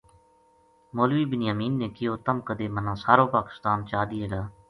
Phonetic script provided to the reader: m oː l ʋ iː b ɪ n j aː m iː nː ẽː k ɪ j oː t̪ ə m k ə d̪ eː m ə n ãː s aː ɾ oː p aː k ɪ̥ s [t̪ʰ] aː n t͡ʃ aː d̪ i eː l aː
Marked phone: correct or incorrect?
incorrect: t̪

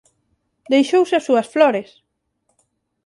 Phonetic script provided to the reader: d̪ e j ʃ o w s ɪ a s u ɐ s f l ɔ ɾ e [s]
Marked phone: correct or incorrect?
correct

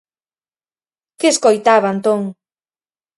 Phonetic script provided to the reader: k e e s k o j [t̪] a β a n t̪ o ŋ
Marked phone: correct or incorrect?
correct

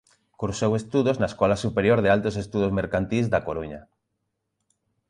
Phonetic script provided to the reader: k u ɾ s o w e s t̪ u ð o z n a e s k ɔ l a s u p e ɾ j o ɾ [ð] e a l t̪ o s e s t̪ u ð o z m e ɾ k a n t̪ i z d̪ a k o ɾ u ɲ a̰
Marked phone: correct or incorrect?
correct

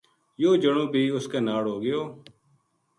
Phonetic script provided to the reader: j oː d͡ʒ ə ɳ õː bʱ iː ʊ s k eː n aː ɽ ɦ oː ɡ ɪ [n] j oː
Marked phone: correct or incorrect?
incorrect: none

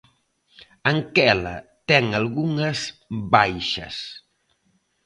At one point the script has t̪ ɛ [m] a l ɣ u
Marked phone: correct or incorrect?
incorrect: ŋ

